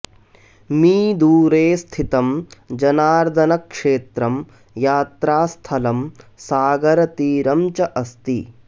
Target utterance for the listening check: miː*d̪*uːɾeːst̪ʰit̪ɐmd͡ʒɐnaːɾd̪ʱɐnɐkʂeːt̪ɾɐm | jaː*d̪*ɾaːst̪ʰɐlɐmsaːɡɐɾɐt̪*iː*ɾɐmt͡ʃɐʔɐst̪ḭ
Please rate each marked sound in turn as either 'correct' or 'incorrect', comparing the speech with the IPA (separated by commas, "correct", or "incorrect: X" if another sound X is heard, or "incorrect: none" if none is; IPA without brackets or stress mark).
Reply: correct, incorrect: t̪, correct